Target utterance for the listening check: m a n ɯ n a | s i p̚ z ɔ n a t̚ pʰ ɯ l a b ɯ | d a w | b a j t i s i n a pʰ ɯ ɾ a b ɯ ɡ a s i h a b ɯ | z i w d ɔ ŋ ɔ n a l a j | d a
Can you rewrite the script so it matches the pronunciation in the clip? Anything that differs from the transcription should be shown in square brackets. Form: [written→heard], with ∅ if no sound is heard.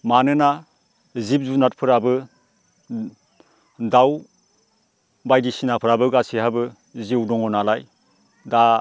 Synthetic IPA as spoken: m a n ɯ n a | [s→z] i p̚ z [ɔ→u] n a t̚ pʰ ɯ [l→ɾ] a b ɯ | d a w | b a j [t→d] i s i n a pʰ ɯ ɾ a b ɯ ɡ a s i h a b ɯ | z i w d ɔ ŋ ɔ n a l a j | d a